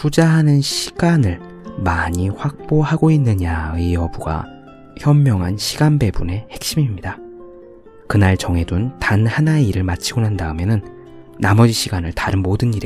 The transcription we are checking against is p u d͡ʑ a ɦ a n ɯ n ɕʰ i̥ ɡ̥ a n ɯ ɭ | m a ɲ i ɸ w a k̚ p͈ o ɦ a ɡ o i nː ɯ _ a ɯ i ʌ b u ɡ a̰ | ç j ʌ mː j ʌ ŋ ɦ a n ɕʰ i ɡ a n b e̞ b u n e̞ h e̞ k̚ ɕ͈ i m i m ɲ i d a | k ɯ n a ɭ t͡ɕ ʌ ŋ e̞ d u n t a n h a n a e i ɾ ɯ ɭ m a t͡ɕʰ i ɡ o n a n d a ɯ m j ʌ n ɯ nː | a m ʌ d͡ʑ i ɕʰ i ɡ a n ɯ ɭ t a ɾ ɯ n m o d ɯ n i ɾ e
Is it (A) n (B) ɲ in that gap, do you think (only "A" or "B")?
B